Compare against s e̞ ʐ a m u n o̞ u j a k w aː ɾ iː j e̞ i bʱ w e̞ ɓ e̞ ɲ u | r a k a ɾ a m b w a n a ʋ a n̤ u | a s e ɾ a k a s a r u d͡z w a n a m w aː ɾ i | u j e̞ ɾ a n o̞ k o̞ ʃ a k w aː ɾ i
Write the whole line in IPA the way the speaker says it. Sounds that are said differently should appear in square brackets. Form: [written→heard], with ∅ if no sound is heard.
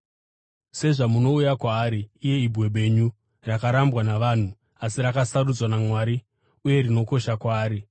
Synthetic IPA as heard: s e̞ ʐ a m u n o̞ u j a k w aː ɾ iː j e̞ i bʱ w e̞ ɓ e̞ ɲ u | r a k a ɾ a m b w a n a ʋ a n̤ u | a s [e→i] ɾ a k a s a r u d͡z w a n a m w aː ɾ i | u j e̞ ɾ [a→i] n o̞ k o̞ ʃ a k w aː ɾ i